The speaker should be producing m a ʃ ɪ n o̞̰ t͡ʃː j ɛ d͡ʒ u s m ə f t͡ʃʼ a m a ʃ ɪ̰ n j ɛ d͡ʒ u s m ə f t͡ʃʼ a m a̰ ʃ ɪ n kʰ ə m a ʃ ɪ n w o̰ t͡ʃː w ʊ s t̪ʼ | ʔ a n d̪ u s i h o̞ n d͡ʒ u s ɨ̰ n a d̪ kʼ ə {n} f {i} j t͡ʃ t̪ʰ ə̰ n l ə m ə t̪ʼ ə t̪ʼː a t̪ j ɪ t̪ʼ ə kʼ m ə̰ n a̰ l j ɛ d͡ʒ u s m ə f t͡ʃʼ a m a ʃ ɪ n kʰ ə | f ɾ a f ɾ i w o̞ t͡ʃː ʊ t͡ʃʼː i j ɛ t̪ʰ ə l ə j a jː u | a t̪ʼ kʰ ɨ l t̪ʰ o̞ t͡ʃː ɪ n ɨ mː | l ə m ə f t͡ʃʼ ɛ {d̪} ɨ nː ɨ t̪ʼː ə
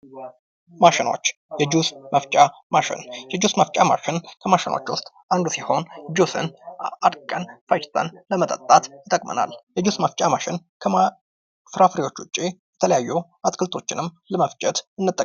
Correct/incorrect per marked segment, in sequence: correct, incorrect, incorrect

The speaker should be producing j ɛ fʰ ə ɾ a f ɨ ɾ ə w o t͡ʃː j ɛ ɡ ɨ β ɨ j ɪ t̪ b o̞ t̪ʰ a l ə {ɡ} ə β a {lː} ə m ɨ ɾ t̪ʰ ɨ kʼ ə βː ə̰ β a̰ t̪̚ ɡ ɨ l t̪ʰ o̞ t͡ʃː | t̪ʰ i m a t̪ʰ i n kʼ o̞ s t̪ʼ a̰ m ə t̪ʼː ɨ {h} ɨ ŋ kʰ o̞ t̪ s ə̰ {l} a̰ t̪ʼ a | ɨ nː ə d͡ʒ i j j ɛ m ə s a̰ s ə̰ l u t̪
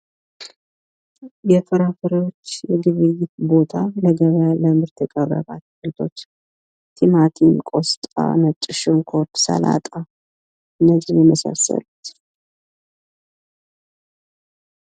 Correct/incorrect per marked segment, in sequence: correct, incorrect, incorrect, correct

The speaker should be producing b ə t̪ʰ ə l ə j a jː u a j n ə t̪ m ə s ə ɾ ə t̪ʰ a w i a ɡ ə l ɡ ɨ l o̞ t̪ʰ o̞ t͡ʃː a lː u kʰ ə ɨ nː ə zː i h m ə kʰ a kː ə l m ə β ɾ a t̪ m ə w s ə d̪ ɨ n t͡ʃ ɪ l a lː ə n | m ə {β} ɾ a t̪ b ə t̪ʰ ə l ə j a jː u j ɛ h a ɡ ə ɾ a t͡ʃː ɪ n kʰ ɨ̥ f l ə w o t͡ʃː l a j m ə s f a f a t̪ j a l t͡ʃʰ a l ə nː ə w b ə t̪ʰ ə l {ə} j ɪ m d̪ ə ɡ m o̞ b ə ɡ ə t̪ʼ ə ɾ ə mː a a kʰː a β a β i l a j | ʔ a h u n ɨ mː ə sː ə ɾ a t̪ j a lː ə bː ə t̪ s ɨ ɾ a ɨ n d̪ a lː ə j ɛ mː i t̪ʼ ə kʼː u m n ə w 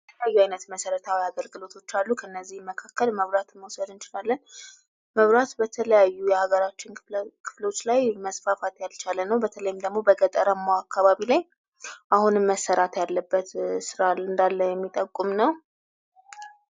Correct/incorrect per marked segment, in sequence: correct, correct

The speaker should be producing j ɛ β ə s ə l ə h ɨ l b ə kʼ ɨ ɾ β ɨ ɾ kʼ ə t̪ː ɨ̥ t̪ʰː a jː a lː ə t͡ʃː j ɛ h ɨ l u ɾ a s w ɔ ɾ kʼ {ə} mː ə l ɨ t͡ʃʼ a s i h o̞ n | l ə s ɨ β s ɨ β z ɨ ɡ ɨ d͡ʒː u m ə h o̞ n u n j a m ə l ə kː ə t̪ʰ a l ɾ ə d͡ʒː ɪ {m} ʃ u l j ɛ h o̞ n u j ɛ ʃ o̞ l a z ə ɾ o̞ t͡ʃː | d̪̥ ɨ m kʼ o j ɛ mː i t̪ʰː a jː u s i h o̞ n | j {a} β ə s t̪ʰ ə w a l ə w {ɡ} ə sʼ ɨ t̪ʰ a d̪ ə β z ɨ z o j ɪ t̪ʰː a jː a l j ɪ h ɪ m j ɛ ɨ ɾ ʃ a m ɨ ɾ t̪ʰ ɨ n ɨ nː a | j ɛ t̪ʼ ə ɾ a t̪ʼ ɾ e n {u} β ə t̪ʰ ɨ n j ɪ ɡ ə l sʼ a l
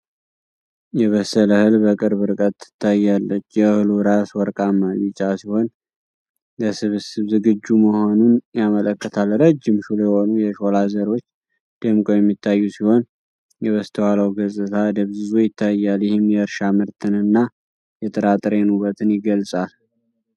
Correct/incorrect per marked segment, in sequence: incorrect, correct, incorrect, correct, correct

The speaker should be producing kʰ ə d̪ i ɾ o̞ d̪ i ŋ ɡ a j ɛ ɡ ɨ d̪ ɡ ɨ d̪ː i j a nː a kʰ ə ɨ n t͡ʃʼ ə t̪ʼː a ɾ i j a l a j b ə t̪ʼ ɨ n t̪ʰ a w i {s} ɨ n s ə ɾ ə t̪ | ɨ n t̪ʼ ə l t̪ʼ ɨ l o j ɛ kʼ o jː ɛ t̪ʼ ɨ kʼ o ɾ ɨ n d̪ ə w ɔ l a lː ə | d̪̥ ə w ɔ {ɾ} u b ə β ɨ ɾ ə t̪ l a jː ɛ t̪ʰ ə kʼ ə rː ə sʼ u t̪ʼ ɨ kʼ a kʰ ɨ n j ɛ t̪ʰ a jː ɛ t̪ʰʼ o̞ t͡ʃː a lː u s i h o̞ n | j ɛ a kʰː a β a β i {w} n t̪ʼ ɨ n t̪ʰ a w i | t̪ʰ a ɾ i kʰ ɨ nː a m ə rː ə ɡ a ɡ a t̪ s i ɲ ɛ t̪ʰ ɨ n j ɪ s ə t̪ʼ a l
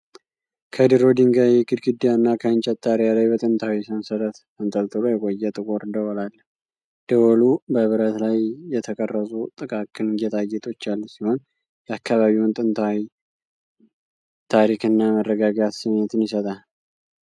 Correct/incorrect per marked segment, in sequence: correct, incorrect, correct

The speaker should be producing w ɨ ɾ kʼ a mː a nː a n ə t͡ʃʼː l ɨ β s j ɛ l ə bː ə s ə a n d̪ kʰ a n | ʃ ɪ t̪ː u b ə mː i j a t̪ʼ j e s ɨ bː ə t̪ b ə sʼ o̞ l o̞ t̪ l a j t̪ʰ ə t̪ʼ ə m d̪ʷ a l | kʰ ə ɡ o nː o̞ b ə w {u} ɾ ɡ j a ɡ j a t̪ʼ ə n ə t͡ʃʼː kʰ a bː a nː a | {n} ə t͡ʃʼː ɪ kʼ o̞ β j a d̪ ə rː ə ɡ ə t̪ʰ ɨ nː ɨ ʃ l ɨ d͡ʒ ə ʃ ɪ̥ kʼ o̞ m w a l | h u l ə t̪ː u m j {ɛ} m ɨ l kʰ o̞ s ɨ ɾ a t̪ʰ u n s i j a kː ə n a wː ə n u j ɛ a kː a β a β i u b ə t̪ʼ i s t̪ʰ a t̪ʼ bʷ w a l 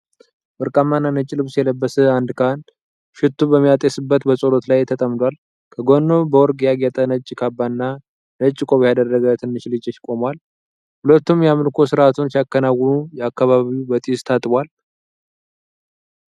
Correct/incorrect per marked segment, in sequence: incorrect, correct, incorrect

